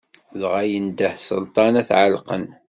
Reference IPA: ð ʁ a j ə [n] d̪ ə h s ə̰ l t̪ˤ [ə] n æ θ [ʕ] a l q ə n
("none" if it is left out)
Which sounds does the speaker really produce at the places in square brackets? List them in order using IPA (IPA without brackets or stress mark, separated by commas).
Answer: n, ɑ, ʕ